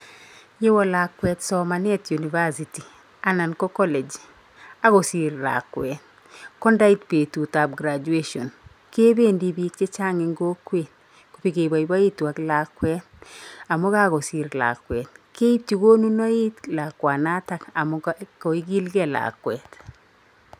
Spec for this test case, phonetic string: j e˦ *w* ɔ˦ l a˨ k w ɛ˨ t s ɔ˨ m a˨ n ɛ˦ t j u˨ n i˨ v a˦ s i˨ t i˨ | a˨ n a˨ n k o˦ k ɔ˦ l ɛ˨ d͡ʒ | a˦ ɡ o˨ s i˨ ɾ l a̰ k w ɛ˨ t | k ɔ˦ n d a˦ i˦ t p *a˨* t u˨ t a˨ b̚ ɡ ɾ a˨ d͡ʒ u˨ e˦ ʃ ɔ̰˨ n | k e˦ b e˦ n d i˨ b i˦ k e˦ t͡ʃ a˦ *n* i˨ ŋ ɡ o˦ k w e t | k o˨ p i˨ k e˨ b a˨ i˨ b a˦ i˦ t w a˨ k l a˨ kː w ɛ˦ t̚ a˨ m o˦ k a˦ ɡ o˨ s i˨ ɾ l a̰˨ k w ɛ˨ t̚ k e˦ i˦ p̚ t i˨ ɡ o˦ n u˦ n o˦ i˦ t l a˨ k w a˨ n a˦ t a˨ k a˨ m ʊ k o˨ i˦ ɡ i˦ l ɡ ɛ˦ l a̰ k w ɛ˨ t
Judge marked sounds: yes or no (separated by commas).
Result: yes, no, no